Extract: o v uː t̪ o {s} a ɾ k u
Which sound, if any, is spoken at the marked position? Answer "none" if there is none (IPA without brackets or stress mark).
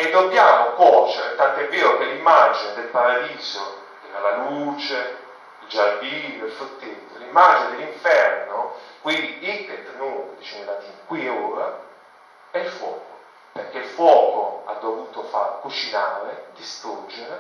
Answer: f